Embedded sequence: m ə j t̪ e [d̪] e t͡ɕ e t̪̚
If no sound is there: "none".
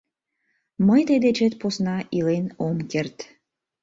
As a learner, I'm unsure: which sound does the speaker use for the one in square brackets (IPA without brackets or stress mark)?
d̪